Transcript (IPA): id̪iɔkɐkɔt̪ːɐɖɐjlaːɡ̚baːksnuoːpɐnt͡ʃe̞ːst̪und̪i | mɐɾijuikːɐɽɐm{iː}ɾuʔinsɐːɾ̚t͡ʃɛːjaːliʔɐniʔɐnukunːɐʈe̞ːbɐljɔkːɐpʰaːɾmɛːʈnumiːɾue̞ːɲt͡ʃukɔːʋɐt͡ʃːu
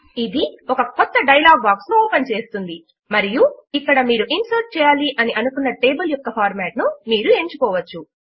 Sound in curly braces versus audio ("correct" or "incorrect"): correct